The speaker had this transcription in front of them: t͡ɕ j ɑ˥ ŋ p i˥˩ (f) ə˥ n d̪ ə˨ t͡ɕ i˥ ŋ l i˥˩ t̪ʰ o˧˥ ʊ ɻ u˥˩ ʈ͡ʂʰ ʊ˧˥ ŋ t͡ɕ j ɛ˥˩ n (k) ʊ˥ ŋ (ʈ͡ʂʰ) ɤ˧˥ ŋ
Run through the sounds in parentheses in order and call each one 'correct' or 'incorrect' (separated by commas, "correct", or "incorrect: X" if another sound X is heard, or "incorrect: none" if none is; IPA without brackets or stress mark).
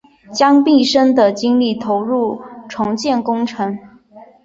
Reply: incorrect: ʂ, correct, correct